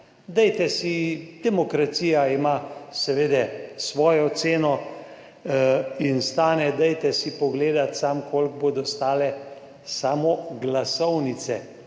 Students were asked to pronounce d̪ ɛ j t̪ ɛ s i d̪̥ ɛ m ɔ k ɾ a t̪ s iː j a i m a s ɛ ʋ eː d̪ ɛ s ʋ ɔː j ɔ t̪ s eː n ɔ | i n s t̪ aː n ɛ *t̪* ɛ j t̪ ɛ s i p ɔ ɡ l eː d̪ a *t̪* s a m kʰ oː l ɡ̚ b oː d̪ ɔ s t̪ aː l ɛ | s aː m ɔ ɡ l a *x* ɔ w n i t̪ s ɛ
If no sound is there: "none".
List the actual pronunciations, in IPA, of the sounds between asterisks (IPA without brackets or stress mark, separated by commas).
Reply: d̪, t̪, s